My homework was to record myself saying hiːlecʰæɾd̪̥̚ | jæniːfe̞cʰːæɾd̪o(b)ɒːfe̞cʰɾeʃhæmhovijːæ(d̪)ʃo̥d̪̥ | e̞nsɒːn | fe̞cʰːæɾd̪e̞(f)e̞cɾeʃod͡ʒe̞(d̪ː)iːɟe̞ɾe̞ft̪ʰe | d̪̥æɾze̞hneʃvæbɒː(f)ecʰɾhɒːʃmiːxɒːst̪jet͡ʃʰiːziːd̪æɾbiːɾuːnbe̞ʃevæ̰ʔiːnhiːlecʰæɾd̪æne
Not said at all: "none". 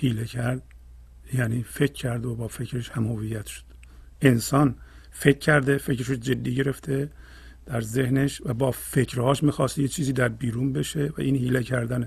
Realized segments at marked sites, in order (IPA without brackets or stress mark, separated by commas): b, t̪, f, d̪ː, f